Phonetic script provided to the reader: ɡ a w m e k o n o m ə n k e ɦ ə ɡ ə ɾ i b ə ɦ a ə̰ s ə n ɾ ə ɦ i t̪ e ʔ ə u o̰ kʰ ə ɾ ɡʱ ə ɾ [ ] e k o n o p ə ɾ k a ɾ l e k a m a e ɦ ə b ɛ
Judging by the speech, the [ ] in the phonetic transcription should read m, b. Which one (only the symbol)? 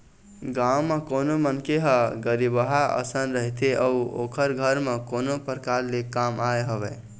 m